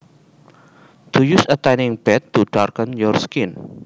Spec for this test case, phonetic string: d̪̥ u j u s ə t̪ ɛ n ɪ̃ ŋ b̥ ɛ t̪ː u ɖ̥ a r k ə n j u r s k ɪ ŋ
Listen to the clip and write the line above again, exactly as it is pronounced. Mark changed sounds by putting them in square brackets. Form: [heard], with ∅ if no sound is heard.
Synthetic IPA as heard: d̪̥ u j u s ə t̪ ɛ n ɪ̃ ŋ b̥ ɛ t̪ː u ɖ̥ a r k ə n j [ɔ] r s k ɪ [n]